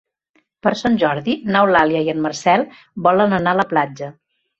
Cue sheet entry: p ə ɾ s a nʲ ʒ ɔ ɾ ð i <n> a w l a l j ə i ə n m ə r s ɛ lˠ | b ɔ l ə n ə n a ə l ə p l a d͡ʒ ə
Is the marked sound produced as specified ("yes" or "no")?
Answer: yes